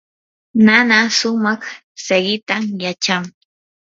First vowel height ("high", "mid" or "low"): low